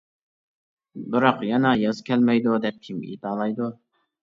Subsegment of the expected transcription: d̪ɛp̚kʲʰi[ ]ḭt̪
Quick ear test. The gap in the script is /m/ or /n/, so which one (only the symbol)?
m